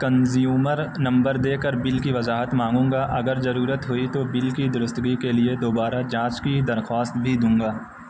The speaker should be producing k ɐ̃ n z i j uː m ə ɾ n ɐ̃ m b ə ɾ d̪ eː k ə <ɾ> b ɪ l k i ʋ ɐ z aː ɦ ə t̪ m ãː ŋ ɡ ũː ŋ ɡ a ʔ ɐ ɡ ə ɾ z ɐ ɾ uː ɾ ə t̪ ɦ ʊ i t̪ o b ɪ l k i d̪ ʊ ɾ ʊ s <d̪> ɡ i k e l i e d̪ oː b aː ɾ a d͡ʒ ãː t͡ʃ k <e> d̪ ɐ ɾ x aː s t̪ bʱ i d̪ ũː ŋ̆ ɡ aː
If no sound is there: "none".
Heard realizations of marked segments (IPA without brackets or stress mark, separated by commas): ɾ, t̪, i